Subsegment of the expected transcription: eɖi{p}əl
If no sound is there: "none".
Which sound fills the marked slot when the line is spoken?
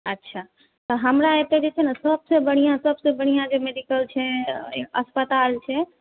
k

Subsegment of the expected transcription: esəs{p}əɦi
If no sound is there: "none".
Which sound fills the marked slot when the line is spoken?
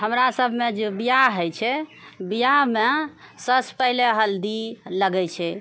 p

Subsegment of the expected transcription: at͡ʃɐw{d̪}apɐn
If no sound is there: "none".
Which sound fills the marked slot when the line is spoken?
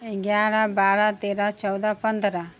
d̪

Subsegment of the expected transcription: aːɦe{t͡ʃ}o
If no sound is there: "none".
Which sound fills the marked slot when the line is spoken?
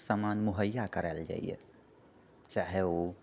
none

